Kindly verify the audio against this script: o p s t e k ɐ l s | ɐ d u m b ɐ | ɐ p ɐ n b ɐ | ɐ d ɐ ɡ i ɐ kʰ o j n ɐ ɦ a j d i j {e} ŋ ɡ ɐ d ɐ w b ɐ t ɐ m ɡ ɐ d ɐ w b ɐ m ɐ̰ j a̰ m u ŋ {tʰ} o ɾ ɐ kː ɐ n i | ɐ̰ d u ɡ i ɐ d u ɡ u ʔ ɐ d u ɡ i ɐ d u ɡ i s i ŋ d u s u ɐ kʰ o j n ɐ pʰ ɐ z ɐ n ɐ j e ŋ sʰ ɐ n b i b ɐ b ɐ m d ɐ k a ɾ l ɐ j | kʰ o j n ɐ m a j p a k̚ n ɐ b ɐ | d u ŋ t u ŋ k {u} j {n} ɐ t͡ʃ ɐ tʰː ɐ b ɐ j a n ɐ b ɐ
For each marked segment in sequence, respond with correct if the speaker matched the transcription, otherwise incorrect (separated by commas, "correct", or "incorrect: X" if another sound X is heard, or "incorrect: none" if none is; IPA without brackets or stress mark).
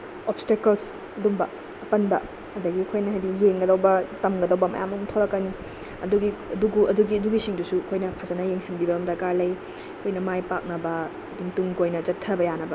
correct, correct, incorrect: o, correct